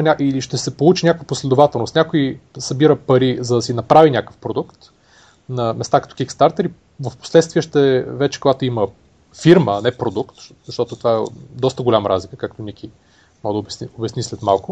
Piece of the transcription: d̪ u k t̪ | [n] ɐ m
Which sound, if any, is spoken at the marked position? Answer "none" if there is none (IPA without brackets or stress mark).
n